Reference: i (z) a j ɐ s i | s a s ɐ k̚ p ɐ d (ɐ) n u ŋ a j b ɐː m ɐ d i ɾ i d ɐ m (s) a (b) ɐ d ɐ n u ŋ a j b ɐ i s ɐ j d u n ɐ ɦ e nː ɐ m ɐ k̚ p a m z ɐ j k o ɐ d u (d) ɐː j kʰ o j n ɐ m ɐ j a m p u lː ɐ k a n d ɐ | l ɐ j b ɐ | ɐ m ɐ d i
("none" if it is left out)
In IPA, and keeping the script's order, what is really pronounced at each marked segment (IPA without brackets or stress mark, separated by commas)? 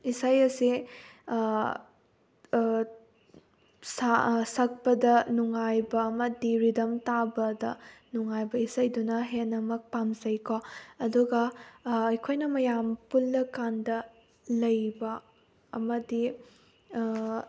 s, ɐ, t, b, ɡ